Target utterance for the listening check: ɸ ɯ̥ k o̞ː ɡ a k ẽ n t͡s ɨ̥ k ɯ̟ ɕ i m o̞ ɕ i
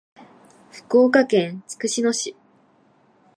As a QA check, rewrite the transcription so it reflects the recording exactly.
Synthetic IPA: ɸ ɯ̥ k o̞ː k a k ẽ n t͡s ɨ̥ k ɯ̟ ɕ i n o̞ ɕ i